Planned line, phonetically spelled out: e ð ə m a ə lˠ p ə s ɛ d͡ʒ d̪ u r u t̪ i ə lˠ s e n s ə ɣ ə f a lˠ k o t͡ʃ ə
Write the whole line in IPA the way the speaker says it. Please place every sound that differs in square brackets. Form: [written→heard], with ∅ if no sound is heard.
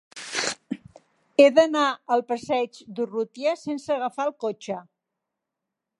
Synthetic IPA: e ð ə [m→n] a ə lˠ p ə s ɛ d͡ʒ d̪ u r u t̪ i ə [lˠ→∅] s e n s ə ɣ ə f a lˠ k o t͡ʃ ə